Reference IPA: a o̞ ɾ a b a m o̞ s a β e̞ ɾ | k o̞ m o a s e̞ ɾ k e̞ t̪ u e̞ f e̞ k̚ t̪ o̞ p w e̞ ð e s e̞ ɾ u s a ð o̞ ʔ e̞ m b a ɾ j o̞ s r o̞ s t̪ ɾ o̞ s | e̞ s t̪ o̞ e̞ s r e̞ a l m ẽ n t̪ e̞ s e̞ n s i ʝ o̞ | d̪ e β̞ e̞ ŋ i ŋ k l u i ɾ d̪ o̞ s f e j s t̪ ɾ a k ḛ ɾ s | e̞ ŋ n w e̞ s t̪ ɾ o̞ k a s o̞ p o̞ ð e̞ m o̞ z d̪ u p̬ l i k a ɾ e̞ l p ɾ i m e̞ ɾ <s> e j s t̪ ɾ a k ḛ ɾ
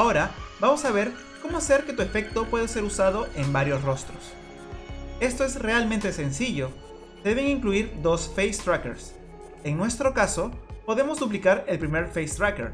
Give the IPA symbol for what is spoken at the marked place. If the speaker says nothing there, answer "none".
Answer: f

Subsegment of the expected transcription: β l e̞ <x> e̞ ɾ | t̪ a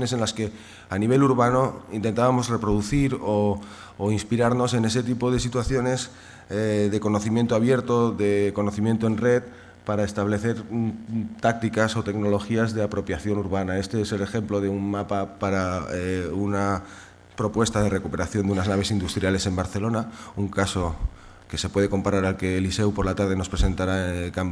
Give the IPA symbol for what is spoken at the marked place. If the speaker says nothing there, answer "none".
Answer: θ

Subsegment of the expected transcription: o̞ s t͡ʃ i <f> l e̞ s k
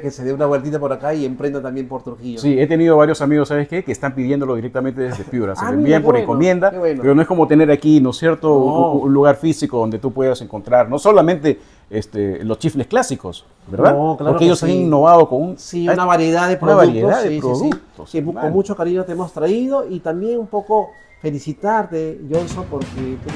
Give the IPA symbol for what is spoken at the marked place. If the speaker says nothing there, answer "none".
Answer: f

